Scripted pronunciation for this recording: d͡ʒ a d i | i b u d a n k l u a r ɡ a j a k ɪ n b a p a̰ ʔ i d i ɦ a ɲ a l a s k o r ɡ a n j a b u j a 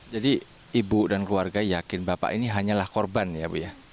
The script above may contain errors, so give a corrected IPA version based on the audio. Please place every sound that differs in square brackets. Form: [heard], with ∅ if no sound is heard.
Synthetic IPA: d͡ʒ a d i | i b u d a n k l u a r ɡ a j a k ɪ n b a p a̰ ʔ i [n] i ɦ a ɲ a l a [h] k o r [b] a n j a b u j a